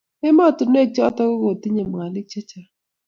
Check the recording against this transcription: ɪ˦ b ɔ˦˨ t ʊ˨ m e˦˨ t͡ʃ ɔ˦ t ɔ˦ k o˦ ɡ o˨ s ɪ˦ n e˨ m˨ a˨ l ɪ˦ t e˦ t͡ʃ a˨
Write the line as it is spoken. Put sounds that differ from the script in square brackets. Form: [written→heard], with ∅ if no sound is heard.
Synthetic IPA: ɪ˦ [b→m] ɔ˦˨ t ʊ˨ [m→n] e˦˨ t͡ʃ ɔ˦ t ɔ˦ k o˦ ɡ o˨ [s→t] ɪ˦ [n→ɲ] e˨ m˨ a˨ l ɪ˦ [t→t͡ʃ] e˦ t͡ʃ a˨